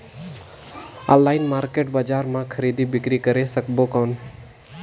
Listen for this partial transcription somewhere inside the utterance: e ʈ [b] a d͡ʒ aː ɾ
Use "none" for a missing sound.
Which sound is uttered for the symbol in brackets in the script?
b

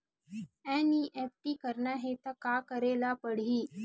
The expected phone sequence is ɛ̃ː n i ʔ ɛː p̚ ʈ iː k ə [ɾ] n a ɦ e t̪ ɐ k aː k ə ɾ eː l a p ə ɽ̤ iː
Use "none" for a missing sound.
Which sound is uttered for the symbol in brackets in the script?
ɾ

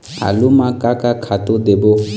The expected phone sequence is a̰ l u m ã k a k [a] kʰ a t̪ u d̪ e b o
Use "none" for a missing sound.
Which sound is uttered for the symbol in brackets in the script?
a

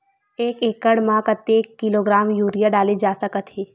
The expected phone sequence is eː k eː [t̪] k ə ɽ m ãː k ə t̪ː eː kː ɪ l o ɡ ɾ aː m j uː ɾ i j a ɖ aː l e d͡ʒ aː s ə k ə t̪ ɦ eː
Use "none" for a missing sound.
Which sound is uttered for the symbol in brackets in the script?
none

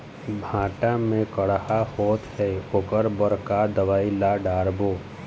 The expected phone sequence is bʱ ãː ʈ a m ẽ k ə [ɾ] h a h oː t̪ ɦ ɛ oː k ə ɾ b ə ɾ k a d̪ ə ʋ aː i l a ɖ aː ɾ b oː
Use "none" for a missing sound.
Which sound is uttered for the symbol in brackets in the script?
ɽ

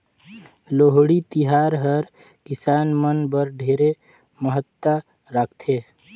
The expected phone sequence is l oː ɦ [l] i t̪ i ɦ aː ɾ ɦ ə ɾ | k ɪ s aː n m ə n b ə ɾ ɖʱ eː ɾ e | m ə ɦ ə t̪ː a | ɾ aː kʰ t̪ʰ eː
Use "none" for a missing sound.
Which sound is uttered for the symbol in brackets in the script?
ɽ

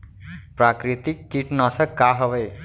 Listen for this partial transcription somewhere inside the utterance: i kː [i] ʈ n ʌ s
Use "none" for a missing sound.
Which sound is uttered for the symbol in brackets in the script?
i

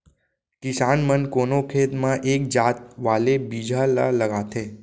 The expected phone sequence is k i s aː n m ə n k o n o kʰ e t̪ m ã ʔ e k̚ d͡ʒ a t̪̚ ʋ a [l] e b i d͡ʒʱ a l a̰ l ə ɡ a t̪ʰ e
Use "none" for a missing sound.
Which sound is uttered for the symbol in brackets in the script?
l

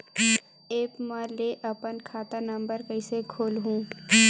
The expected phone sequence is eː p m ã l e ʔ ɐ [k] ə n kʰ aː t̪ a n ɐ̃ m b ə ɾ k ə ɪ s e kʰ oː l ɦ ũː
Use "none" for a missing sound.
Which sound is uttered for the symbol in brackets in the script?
p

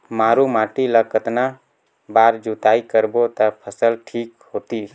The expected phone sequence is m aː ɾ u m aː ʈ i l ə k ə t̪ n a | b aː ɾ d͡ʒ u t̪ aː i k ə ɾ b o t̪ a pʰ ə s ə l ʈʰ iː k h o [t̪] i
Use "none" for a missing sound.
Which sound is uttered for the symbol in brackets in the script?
t̪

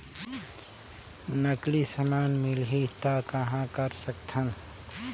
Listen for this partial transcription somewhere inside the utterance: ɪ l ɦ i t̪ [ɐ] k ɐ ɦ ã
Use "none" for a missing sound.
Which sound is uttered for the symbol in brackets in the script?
a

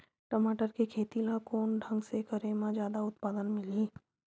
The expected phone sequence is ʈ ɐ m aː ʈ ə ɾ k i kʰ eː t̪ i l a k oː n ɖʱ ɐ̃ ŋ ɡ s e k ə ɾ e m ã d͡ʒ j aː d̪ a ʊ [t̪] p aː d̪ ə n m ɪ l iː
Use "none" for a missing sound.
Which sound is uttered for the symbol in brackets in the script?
t̪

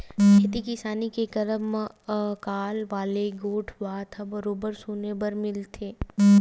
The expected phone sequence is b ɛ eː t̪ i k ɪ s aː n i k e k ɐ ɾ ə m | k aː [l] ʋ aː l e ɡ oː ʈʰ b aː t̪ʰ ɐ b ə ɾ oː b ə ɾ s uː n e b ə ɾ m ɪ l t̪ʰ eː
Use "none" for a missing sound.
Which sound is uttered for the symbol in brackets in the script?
l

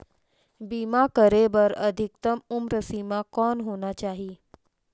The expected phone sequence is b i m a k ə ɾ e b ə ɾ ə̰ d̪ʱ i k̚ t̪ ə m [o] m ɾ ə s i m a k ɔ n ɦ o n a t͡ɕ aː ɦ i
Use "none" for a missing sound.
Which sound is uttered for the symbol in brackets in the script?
u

